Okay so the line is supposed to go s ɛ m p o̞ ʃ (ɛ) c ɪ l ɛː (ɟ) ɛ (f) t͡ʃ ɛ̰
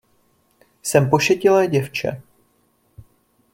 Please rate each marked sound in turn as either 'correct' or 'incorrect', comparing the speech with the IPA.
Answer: correct, correct, correct

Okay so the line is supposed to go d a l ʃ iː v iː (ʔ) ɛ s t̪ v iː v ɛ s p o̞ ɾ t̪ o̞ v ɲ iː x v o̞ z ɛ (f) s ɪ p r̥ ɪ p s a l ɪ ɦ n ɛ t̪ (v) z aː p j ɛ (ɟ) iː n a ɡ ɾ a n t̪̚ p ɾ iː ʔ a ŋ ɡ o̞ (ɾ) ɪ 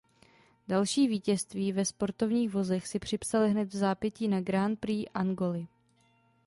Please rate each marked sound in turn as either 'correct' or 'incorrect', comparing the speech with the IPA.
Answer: incorrect, incorrect, correct, incorrect, incorrect

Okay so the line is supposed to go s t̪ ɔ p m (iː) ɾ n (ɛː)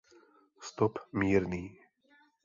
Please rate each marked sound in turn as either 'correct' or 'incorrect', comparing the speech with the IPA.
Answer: correct, incorrect

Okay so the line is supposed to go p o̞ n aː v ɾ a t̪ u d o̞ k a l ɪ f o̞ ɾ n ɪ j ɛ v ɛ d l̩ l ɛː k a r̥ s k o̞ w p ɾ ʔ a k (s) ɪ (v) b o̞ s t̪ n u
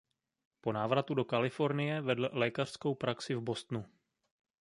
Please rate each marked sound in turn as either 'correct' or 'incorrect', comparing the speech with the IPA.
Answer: correct, correct

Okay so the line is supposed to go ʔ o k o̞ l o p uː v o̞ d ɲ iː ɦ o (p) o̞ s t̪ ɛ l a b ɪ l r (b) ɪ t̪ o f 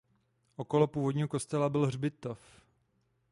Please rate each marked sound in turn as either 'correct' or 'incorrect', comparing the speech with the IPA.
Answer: incorrect, correct

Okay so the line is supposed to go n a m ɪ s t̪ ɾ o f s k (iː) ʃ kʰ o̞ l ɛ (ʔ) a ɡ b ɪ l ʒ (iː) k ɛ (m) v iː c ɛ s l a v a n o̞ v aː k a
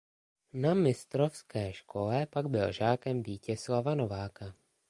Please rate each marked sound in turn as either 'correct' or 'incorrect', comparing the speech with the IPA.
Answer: incorrect, incorrect, incorrect, correct

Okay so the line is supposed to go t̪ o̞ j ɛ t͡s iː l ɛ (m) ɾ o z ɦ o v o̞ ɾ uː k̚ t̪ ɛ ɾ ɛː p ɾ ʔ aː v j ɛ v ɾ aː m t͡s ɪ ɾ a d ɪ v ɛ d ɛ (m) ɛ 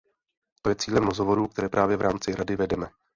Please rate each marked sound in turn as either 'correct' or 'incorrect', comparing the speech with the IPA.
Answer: correct, correct

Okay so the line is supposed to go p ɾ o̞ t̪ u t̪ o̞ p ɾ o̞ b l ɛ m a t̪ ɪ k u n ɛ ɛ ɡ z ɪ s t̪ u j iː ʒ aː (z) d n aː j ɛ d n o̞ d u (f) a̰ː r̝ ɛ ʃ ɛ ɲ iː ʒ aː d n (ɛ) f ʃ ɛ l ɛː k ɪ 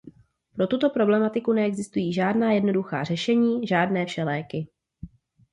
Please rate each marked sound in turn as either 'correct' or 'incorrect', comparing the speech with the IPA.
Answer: incorrect, incorrect, incorrect

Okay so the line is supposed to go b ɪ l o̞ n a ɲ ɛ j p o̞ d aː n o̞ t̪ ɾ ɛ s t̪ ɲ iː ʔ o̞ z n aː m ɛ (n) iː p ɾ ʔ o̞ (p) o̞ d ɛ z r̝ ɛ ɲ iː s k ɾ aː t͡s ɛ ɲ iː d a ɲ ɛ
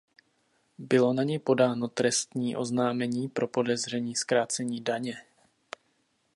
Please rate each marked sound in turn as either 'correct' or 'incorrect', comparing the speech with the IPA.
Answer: incorrect, correct

